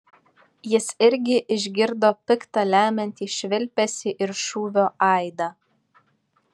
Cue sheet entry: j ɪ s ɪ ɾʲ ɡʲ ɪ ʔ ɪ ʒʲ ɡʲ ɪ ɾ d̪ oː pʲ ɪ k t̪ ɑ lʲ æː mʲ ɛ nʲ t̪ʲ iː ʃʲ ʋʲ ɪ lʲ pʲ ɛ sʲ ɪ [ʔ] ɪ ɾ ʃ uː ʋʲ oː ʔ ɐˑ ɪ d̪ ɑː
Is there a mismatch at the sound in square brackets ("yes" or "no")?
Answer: no